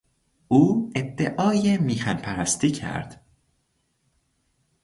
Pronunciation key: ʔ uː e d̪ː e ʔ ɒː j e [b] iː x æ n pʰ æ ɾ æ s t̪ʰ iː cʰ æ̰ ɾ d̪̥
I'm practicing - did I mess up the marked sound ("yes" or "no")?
yes